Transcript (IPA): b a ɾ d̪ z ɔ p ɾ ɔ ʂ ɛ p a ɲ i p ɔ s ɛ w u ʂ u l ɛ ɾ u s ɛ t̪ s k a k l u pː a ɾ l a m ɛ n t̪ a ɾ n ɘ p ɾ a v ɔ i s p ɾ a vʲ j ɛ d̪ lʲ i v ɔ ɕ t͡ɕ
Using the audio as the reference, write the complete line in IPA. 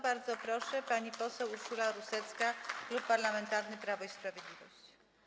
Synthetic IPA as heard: b a ɾ d̪ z ɔ p ɾ ɔ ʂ ɛ p a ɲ i p ɔ s ɛ w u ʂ u l a ɾ u s ɛ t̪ s k a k l u pː a ɾ l a m ɛ n t̪ a ɾ n ɘ p ɾ a v ɔ i s p ɾ a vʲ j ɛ d̪ lʲ i v ɔ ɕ t͡ɕ